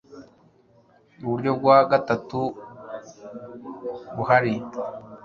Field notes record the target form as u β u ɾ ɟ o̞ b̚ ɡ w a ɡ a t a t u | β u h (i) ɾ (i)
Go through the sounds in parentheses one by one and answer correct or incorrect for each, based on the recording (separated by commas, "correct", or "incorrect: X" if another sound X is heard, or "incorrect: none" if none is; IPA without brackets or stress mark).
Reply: incorrect: a, correct